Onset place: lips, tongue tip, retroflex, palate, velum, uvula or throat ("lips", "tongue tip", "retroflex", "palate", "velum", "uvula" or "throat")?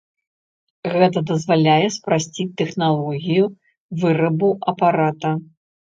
velum